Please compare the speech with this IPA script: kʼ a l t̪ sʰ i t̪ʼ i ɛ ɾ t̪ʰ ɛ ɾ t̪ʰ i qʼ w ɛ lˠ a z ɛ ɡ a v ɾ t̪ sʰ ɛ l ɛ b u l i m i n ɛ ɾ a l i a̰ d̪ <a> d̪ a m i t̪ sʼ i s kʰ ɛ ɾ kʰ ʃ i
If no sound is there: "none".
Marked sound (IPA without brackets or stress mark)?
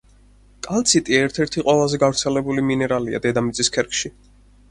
ɛ